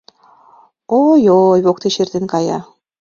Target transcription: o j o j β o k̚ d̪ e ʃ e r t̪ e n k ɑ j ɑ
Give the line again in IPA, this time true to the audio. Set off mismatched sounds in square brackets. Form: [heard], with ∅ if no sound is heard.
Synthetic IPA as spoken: o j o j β o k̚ [t̪] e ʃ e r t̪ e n k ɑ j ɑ